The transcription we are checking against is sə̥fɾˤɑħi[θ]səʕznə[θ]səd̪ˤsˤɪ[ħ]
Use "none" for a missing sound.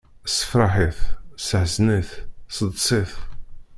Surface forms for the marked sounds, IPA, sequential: θ, θ, θ

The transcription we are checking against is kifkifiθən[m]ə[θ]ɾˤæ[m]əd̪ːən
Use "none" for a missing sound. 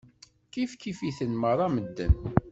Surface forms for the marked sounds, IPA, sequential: m, none, m

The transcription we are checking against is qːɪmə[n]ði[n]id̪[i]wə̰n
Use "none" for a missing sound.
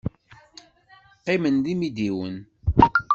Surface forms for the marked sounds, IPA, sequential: n, m, i

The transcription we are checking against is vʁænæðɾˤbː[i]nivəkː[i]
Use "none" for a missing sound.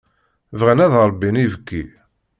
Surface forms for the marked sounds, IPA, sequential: i, i

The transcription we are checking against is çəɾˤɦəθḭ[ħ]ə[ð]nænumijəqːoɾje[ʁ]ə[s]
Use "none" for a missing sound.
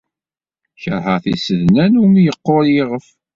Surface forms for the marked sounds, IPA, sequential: s, ð, ʁ, f

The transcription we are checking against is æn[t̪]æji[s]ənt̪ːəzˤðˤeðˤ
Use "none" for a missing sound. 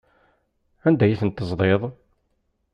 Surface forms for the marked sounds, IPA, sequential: d̪, θ

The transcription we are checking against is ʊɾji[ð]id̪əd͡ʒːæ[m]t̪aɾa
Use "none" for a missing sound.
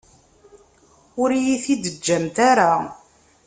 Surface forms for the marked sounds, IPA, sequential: θ, m

